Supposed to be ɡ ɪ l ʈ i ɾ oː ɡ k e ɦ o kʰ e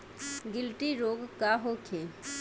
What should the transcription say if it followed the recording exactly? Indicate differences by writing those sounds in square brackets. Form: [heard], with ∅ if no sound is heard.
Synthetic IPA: ɡ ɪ l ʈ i ɾ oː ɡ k [a] ɦ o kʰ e